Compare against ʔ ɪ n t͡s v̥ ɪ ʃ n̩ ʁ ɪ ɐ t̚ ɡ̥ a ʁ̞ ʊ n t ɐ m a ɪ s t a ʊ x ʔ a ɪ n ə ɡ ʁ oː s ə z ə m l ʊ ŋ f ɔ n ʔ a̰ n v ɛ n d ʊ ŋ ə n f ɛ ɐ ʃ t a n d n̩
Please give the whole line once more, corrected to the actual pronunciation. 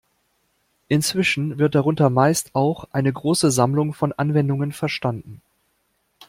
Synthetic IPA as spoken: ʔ ɪ n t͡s v̥ ɪ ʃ n̩ v ɪ ɐ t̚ d̥ a ʁ̞ ʊ n t ɐ m a ɪ s t a ʊ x ʔ a ɪ n ə ɡ ʁ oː s ə z a m l ʊ ŋ f ɔ n ʔ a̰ n v ɛ n d ʊ ŋ ə n f ɛ ɐ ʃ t a n d n̩